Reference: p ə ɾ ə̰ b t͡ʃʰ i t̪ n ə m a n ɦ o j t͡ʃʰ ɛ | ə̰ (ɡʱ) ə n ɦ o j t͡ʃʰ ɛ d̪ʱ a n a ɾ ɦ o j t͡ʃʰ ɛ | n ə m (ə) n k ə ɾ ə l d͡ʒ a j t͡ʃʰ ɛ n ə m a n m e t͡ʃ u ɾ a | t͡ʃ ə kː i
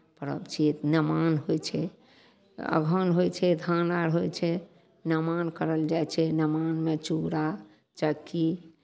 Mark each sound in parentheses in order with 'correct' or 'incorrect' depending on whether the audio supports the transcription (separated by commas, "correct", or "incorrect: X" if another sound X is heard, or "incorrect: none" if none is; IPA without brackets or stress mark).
correct, incorrect: a